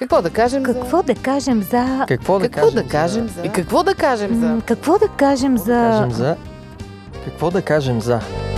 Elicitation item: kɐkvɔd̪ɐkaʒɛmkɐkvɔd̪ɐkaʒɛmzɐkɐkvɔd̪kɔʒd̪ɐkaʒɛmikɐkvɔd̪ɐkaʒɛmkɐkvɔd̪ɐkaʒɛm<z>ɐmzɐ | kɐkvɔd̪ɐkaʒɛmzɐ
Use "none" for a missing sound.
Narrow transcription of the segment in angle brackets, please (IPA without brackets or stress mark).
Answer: z